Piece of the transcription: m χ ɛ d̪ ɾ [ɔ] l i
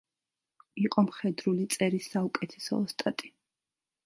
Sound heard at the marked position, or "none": u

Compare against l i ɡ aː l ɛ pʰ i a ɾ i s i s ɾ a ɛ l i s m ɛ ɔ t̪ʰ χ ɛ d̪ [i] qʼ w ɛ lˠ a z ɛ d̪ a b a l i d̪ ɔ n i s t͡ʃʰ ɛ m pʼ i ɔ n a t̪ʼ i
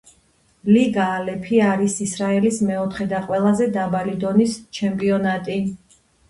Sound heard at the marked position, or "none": a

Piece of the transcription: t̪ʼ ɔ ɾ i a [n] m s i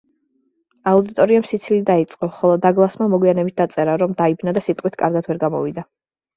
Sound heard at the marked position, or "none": none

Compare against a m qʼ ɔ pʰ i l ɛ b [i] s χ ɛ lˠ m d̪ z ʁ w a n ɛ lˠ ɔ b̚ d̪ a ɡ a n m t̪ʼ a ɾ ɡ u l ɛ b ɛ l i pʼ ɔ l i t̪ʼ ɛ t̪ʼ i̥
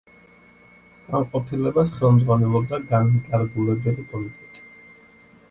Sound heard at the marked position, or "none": a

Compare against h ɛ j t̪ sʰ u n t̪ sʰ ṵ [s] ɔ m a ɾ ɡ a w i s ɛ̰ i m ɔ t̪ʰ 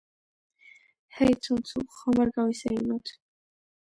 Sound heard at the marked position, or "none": χ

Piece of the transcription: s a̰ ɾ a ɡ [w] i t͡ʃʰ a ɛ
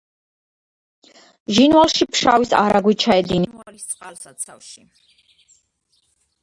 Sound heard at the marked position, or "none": w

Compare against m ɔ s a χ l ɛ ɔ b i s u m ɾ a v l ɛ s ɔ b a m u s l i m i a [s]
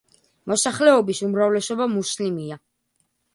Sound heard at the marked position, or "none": none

